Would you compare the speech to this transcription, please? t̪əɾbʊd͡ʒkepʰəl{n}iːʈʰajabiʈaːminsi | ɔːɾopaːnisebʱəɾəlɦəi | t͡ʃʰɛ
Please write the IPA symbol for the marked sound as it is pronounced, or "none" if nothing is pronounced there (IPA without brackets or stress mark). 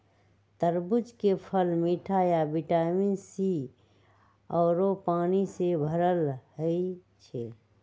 m